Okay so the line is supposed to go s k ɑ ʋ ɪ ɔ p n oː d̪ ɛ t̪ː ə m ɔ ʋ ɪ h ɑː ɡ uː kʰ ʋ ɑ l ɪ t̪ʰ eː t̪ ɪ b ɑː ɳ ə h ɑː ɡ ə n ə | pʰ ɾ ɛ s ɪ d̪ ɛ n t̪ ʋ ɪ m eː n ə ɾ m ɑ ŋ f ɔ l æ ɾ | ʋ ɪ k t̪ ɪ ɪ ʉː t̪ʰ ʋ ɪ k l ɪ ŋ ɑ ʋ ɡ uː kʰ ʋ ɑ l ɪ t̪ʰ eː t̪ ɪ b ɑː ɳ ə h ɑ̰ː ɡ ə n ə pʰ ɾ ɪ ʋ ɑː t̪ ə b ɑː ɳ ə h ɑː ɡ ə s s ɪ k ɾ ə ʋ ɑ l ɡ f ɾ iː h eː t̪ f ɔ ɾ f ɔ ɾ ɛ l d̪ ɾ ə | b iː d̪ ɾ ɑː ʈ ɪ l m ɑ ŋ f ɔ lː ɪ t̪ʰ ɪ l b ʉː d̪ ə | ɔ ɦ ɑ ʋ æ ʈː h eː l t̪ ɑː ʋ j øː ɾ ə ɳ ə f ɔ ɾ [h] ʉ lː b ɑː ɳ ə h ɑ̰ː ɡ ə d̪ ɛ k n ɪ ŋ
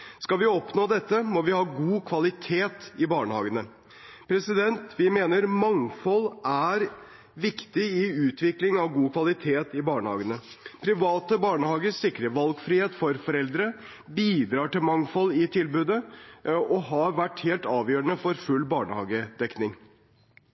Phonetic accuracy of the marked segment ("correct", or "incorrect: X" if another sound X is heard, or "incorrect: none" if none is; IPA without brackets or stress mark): incorrect: f